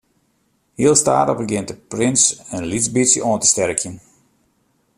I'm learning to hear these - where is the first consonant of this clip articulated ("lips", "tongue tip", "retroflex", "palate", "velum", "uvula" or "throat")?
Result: throat